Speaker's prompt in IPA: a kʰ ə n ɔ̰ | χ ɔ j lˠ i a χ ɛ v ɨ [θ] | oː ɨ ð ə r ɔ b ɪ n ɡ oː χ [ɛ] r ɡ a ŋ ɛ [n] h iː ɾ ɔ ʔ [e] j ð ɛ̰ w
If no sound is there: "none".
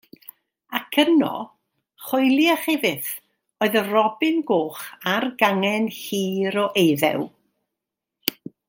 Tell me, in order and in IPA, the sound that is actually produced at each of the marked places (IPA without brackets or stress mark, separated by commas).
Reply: θ, a, n, e